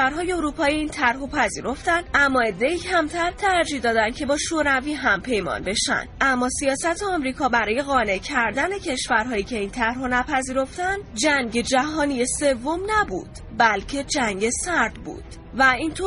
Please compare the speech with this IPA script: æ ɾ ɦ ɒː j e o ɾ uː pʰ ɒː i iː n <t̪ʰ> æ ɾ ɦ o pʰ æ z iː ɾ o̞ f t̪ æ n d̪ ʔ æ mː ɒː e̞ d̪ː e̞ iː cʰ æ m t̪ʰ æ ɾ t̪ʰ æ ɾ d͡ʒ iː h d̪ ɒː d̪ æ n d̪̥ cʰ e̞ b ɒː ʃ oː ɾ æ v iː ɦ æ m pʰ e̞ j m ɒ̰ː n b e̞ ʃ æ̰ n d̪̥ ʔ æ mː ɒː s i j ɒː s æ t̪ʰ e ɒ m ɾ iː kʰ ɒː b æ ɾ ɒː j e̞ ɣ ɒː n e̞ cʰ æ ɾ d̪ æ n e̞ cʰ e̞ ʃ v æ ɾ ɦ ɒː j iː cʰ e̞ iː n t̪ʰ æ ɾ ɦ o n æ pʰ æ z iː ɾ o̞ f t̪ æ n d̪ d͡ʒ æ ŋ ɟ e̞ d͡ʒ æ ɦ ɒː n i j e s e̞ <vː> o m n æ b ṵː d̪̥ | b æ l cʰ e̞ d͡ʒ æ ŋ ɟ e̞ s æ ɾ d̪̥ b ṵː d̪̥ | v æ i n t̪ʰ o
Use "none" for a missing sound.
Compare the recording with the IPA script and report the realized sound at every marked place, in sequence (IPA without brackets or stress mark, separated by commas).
t̪ʰ, vː